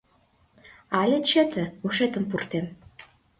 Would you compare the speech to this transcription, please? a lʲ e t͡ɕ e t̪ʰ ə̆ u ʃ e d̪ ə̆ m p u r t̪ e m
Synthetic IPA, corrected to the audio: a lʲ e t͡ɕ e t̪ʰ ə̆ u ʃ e t̪ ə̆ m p u r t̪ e m

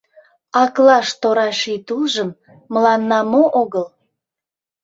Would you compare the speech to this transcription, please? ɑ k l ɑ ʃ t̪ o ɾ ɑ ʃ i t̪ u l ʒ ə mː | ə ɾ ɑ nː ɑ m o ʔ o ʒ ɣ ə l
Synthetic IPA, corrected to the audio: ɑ k l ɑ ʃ t̪ o ɾ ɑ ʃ i t̪ u l ʒ ə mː | ə l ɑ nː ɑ m o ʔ o ɣ ə l

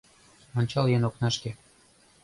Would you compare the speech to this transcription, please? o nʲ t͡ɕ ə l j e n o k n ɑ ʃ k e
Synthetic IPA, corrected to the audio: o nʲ t͡ɕ ɑ l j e n o k n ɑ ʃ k e

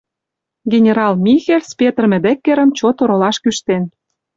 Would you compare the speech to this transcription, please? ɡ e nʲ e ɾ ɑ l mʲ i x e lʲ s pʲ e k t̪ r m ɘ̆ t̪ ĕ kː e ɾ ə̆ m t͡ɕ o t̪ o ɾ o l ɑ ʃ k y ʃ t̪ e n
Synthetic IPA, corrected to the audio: ɡ e nʲ e ɾ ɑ l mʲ i x e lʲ s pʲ e t̪ r m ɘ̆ d̪ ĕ kː e ɾ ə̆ m t͡ɕ o t̪ o ɾ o l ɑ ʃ k y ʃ t̪ e n

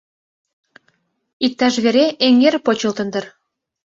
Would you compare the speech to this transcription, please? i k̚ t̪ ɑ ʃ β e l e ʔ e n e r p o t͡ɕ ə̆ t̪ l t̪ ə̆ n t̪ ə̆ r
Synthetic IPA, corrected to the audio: i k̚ t̪ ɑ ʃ β e ɾ e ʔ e ŋ e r p o t͡ɕ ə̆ l t̪ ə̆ n d̪ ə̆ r

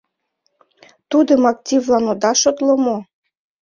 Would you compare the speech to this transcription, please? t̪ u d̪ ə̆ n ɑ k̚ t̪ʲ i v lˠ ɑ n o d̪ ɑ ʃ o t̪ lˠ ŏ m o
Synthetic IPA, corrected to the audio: t̪ u d̪ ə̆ m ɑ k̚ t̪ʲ i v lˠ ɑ n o d̪ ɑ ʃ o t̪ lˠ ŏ m o

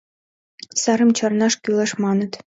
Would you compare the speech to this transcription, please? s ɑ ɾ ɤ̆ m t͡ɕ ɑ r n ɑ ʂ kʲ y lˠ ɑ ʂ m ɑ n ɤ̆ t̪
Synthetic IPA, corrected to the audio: s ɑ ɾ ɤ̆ m t͡ɕ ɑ r n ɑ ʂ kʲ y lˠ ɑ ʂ m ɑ n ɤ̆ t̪

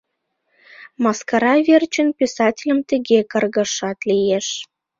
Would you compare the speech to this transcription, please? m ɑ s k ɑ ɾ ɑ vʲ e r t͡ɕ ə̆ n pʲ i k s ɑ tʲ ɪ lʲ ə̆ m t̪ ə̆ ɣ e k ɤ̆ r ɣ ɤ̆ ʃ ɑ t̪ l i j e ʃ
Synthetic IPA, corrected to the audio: m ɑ s k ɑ ɾ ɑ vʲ e r t͡ɕ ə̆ n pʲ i s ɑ tʲ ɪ lʲ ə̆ m t̪ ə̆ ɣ e k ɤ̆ r ɣ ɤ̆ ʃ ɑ t̪ l i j e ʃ

